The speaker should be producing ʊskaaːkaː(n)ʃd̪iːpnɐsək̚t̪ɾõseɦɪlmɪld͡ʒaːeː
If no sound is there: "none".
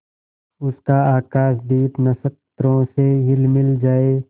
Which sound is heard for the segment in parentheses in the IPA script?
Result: none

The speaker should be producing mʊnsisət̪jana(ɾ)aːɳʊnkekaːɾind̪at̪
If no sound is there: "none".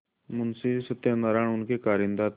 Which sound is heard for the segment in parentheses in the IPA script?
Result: ɾ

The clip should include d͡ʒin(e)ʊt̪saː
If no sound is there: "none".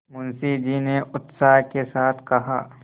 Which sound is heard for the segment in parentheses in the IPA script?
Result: e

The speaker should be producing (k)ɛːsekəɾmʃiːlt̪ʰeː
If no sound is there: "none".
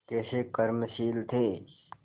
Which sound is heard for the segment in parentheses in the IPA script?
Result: k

